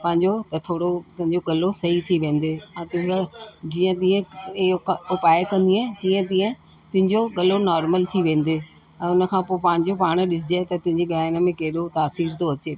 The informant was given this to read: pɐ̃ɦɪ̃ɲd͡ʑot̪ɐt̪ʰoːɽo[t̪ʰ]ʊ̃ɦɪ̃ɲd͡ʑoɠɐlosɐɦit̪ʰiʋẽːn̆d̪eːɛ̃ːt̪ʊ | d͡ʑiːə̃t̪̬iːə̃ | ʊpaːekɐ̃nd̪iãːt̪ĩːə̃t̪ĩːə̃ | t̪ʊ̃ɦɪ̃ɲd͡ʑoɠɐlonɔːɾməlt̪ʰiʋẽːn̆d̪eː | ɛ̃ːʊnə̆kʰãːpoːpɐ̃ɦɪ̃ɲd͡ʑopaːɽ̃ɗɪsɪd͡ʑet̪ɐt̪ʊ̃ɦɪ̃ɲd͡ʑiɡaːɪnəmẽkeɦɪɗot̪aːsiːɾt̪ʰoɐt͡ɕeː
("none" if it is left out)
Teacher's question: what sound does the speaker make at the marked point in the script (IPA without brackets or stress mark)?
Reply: t̪